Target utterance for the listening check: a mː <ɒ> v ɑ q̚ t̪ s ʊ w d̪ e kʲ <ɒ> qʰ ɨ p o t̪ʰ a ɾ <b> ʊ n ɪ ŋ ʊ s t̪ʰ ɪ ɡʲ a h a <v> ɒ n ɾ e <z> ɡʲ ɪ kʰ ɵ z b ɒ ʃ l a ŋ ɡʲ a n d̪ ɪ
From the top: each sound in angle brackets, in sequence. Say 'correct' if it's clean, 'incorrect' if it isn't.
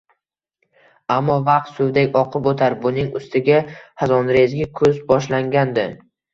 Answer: correct, correct, correct, incorrect, correct

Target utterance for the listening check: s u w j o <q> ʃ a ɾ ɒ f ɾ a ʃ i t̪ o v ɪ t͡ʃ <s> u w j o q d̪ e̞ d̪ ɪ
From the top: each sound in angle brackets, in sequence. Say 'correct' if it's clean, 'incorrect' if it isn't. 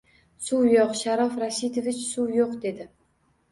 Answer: correct, correct

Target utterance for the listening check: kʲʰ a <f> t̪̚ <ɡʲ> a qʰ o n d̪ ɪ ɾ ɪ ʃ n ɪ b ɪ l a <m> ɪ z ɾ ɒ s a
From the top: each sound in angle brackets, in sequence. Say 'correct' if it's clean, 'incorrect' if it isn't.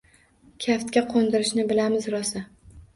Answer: correct, incorrect, correct

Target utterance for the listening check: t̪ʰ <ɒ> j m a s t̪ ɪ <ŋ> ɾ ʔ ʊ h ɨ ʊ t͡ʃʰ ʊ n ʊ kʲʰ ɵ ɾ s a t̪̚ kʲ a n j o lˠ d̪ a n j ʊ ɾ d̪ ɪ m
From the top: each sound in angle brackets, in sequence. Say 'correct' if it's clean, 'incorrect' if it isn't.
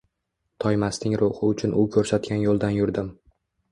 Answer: correct, correct

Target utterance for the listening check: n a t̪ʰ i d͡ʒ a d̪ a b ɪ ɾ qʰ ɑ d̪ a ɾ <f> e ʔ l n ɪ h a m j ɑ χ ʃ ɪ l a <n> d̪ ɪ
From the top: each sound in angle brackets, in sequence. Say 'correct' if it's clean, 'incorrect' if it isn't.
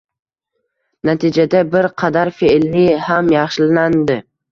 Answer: correct, correct

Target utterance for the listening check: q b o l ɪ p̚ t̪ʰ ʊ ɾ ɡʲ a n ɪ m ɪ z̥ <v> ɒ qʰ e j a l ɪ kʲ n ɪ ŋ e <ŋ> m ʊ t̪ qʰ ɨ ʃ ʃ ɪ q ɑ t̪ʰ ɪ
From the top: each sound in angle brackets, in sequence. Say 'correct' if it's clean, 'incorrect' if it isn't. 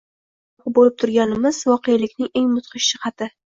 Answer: correct, correct

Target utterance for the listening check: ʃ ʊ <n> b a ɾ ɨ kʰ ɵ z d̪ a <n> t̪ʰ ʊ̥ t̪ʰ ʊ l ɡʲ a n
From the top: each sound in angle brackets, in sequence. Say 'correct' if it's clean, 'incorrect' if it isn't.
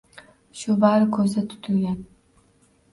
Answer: incorrect, incorrect

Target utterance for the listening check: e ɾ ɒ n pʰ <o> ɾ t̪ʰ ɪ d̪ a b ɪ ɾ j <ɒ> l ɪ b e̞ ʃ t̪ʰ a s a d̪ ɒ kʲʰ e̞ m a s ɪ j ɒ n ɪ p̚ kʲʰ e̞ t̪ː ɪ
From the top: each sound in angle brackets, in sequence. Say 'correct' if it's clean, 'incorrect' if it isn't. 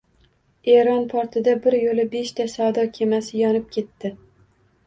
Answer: incorrect, incorrect

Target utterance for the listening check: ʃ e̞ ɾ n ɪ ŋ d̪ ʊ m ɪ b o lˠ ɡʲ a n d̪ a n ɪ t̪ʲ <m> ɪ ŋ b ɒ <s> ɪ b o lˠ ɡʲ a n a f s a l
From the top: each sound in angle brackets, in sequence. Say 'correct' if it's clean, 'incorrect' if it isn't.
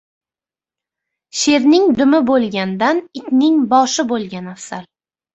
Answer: incorrect, incorrect

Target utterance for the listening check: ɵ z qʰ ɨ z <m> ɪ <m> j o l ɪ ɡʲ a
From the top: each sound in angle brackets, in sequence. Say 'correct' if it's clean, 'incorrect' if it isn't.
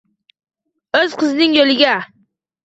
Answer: incorrect, incorrect

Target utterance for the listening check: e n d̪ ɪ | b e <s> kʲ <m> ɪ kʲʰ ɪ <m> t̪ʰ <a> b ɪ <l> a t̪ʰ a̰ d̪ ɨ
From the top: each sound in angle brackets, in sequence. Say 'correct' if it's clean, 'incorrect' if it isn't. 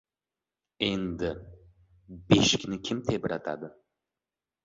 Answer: incorrect, incorrect, correct, incorrect, incorrect

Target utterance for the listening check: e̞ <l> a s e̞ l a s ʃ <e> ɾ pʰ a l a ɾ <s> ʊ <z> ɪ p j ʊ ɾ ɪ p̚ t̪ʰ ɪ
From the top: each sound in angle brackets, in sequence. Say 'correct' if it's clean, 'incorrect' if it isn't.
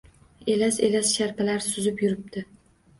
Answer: correct, incorrect, correct, correct

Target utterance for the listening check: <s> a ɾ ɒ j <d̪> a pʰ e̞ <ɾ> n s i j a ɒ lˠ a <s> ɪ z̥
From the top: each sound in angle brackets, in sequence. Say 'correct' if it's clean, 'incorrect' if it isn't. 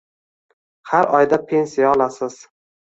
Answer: incorrect, correct, incorrect, correct

